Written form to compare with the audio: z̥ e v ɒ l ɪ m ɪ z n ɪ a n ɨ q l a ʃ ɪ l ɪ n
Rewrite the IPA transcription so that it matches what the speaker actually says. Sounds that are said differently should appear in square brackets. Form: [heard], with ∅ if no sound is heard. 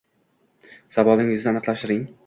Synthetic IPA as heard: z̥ [a] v ɒ l ɪ [ŋ] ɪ z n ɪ a n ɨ q l a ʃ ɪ [ɾ] ɪ [ŋ]